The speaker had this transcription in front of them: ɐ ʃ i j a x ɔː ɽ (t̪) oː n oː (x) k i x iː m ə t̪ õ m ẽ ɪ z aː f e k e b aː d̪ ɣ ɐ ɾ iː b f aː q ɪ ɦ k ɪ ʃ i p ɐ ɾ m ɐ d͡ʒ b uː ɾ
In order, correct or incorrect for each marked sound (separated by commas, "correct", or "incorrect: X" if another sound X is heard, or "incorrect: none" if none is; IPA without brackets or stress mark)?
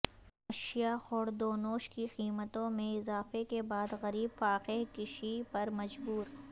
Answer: incorrect: d̪, incorrect: ʃ